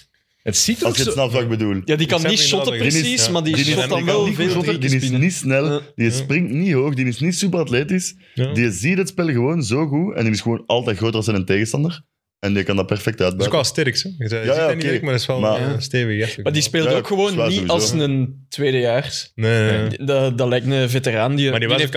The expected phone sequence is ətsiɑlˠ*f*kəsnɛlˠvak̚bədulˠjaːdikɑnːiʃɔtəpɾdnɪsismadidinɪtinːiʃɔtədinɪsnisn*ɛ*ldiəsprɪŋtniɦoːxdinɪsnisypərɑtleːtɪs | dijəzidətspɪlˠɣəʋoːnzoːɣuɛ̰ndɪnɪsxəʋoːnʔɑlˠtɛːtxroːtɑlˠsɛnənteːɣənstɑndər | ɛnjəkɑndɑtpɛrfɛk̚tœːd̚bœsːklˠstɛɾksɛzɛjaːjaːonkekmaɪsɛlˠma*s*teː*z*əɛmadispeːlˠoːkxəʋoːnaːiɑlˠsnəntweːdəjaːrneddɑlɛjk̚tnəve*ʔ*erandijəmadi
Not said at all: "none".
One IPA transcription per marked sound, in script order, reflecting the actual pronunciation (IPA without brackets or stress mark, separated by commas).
s, ɛ, s, v, t